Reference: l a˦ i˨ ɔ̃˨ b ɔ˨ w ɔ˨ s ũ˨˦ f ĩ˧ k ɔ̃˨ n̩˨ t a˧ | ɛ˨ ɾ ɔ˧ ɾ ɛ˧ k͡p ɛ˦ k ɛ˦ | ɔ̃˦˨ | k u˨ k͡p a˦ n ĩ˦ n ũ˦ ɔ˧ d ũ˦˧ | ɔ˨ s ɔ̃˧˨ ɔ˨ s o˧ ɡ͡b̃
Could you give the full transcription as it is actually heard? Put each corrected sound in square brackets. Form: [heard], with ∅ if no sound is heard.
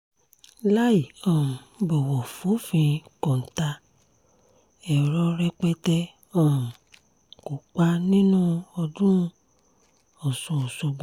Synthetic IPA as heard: l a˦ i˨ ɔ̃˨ b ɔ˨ w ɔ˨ [f] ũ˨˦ f ĩ˧ k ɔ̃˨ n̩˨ t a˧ | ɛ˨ ɾ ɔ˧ ɾ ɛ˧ k͡p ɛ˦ [t] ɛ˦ | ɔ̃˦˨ | k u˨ k͡p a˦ n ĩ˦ n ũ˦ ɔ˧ d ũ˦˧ | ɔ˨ s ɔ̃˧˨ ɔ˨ s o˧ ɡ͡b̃